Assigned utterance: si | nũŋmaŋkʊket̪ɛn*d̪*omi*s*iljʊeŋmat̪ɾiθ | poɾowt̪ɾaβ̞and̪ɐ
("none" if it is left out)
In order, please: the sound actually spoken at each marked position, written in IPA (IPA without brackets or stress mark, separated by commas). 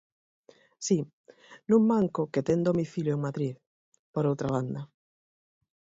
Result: d̪, θ